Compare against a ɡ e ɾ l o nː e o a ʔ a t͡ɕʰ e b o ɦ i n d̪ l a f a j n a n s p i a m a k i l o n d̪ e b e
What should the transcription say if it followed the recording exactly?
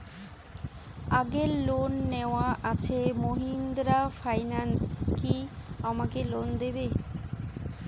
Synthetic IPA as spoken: a ɡ e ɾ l o nː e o a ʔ a t͡ɕʰ e m o ɦ i n d̪ ɾ a f a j n a n s k i a m a k e l o n d̪ e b e